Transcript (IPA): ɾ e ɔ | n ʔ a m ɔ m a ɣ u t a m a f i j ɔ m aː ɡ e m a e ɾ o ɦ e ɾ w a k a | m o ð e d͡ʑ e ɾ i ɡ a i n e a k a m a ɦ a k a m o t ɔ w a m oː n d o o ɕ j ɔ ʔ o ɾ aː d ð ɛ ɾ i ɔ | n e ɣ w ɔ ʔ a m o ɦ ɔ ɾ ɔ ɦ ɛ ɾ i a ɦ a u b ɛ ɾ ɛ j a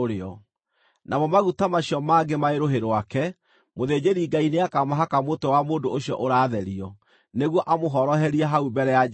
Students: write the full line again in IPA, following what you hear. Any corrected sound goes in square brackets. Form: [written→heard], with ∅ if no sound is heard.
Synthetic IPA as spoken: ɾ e ɔ | n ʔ a m ɔ m a ɣ u t a m a [f→ɕ] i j ɔ m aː ɡ e m a e ɾ o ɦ e ɾ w a k [a→ɛ] | m o ð e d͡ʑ e ɾ i ɡ a i n e a k a m a ɦ a k a m o t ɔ w a m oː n d o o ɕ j ɔ ʔ o ɾ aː [d→∅] ð ɛ ɾ i ɔ | n e ɣ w ɔ ʔ a m o ɦ ɔ ɾ ɔ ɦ ɛ ɾ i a ɦ a u b ɛ ɾ ɛ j a